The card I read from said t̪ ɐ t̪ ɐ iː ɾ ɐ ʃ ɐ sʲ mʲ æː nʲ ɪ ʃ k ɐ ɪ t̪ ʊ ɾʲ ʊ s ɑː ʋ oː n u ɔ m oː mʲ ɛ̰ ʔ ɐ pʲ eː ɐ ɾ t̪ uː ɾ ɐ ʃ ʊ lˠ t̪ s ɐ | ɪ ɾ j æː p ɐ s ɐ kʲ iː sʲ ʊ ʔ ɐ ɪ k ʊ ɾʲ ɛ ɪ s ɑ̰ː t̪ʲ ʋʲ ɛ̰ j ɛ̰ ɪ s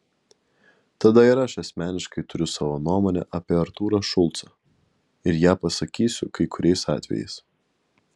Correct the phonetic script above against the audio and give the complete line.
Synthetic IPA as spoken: t̪ ɐ d̪ ɐ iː ɾ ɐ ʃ ɐ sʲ mʲ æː nʲ ɪ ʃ k ɐ ɪ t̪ ʊ ɾʲ ʊ s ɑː ʋ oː n u ɔ m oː nʲ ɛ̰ ʔ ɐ pʲ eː ɐ ɾ t̪ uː ɾ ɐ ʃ ʊ lˠ t̪ s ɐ | ɪ ɾ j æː p ɐ s ɐ kʲ iː sʲ ʊ k ɐ ɪ k ʊ ɾʲ ɛ ɪ s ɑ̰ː t̪ʲ ʋʲ ɛ̰ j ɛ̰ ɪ s